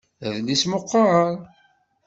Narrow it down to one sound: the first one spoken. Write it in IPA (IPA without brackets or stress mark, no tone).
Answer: ð